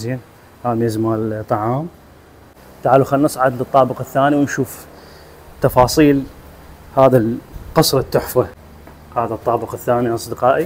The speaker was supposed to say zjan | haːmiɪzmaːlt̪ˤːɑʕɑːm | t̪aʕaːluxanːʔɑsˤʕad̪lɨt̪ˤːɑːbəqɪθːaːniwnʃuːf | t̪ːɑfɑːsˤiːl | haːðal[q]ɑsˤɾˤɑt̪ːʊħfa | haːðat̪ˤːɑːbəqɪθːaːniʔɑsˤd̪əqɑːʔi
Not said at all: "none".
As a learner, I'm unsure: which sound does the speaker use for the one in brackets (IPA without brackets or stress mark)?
q